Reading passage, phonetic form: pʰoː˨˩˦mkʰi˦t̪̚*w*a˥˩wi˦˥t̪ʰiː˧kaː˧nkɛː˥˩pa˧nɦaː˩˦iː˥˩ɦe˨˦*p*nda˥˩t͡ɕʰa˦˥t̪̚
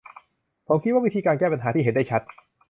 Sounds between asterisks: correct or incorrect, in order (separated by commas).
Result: correct, incorrect